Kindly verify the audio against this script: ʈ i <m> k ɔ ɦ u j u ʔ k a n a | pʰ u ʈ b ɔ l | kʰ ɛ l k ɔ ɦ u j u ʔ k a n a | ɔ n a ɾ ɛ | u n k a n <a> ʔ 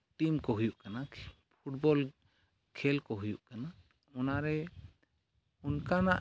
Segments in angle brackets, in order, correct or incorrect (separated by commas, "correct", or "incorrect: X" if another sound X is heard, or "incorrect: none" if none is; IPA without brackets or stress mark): correct, correct